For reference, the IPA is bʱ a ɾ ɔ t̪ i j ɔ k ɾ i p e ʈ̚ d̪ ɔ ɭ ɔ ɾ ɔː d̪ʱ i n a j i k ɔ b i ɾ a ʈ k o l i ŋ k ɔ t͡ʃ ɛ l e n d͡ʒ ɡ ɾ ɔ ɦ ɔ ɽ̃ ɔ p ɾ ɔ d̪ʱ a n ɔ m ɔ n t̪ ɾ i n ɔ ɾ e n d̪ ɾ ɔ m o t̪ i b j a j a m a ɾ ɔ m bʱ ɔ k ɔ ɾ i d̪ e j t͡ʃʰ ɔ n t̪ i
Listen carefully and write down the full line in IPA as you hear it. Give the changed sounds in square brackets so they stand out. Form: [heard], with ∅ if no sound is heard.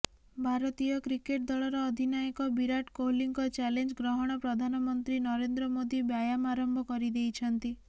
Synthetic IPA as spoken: bʱ a ɾ ɔ t̪ i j ɔ k ɾ i [k] e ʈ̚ d̪ ɔ ɭ ɔ ɾ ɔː d̪ʱ i n a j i k ɔ b i ɾ a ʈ k o l i ŋ k ɔ t͡ʃ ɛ l e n d͡ʒ ɡ ɾ ɔ ɦ ɔ ɽ̃ ɔ p ɾ ɔ d̪ʱ a n ɔ m ɔ n t̪ ɾ i n ɔ ɾ e n d̪ ɾ ɔ m o [d̪] i b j a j a m a ɾ ɔ m bʱ ɔ k ɔ ɾ i d̪ e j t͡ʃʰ ɔ n t̪ i